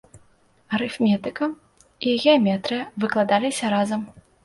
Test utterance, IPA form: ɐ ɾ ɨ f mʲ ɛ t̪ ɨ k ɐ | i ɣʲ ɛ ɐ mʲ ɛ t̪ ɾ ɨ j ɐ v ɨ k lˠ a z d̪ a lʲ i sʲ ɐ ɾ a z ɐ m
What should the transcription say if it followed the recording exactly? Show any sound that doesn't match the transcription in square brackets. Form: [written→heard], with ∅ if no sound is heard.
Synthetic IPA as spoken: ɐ ɾ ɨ f mʲ ɛ t̪ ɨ k ɐ | i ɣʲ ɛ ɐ mʲ ɛ t̪ ɾ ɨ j ɐ v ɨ k lˠ a [z→∅] d̪ a lʲ i sʲ ɐ ɾ a z ɐ m